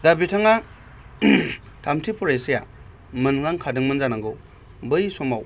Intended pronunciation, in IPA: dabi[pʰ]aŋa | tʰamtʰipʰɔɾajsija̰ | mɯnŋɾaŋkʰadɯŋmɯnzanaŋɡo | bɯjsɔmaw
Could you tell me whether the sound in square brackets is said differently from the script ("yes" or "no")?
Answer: yes